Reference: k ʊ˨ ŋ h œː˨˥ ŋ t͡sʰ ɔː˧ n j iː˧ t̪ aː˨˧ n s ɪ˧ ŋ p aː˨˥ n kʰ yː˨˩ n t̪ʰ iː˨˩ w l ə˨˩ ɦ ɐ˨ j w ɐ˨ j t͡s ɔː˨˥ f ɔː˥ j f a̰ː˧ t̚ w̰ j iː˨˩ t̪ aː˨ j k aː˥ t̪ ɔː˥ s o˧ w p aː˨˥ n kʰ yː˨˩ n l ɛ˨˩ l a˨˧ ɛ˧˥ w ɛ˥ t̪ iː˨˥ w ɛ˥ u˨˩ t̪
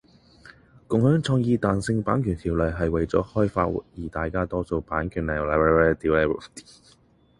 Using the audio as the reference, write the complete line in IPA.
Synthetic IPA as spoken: k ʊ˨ ŋ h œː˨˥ ŋ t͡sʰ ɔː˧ ŋ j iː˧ t̪ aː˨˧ n s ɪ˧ ŋ p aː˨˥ n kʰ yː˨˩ n t̪ʰ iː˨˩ w l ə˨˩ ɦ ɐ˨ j w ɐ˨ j t͡s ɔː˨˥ h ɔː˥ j f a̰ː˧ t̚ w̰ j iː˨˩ t̪ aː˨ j k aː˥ t̪ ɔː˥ s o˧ w p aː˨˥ n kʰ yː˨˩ n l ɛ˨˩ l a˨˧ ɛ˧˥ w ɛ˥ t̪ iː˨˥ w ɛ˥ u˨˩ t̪